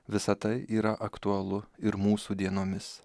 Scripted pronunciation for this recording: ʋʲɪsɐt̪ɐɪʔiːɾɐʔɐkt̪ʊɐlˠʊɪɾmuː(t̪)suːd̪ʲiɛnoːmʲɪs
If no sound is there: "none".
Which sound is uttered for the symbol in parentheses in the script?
none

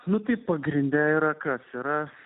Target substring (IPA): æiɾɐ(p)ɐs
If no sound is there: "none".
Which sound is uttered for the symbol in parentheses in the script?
k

